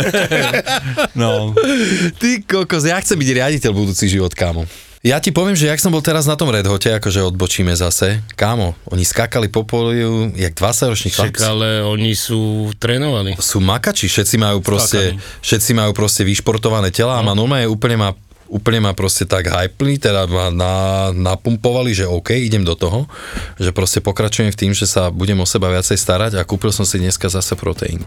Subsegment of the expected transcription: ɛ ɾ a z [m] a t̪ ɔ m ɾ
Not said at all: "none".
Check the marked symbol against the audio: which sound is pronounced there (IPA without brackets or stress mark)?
n